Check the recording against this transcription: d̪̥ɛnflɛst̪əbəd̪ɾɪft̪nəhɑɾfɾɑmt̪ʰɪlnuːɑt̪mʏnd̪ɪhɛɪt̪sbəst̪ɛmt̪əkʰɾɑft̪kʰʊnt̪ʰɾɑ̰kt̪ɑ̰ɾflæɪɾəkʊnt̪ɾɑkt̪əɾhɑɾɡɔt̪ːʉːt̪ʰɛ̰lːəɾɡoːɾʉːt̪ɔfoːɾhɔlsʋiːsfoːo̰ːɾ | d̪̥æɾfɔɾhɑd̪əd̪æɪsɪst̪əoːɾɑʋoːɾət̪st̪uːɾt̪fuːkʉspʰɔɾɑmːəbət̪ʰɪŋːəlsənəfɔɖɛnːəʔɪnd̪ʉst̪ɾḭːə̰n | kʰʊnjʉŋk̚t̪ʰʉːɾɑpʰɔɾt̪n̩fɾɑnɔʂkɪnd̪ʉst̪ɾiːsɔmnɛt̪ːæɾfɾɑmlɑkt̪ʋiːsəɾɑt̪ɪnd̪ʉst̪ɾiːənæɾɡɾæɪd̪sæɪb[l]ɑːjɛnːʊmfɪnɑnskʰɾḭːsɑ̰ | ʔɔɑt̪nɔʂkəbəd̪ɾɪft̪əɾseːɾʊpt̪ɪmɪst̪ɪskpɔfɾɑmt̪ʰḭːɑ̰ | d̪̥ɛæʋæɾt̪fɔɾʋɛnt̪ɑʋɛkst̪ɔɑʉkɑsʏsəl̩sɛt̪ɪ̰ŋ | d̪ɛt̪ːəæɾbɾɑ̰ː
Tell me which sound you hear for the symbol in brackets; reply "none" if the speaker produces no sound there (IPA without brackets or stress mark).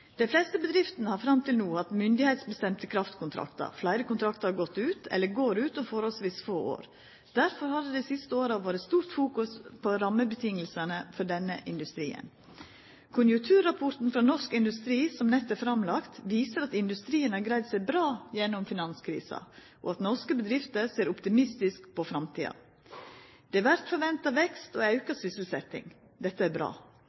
ɾ